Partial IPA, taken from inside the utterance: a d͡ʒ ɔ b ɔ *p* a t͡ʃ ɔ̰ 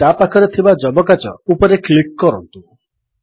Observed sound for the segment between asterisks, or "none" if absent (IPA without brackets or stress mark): k